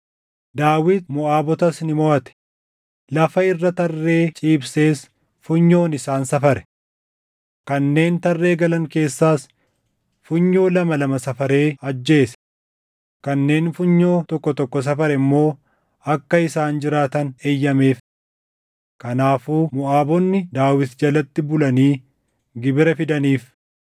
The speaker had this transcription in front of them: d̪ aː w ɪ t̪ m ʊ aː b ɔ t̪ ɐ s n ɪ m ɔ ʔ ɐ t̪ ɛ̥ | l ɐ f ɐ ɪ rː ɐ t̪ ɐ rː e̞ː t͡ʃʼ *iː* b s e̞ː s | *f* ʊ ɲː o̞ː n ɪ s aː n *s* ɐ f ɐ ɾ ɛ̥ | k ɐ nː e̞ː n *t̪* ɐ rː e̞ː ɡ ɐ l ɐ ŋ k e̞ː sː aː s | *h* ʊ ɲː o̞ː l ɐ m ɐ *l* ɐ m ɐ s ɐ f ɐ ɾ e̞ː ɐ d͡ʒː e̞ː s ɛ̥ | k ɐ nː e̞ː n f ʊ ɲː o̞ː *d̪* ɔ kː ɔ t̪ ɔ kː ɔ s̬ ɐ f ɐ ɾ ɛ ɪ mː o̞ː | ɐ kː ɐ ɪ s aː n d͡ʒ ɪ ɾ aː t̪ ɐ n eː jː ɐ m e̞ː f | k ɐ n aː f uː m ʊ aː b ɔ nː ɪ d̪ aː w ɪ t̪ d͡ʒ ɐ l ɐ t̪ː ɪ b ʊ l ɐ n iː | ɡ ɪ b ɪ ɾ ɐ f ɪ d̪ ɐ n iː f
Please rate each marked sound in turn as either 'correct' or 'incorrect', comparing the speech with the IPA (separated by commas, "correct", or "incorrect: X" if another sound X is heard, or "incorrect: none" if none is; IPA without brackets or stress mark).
correct, correct, correct, correct, incorrect: f, correct, incorrect: t̪